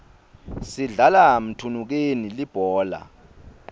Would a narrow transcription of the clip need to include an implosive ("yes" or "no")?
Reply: no